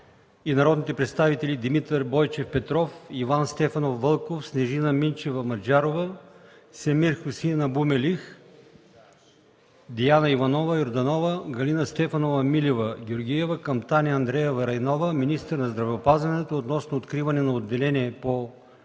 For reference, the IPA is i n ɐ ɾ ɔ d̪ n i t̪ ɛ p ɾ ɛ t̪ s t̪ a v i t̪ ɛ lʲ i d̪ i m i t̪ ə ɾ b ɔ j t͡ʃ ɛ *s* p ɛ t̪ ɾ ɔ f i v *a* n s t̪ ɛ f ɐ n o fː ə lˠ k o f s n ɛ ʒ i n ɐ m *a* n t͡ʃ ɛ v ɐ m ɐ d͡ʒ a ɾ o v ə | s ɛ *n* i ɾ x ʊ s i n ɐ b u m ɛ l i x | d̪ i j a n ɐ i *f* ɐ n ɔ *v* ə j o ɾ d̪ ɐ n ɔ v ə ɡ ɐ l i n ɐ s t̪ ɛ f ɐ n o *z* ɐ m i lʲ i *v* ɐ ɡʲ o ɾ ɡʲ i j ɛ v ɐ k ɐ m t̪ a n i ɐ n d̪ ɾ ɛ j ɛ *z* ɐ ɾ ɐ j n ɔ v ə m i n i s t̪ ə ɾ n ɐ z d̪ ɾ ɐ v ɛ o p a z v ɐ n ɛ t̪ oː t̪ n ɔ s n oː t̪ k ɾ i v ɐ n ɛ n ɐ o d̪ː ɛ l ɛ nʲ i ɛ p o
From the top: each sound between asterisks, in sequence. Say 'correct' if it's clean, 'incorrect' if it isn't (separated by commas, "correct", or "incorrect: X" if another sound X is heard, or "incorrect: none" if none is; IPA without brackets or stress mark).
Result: incorrect: f, correct, incorrect: i, incorrect: m, incorrect: v, correct, incorrect: v, correct, incorrect: v